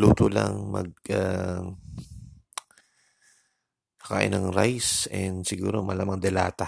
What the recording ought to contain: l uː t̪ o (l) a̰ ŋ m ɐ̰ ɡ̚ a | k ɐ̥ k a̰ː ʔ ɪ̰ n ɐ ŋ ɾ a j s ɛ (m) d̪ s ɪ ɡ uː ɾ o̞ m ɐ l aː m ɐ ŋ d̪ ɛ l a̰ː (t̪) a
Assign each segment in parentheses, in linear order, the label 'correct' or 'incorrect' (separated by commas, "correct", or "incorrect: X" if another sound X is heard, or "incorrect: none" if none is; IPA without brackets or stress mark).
correct, incorrect: n, correct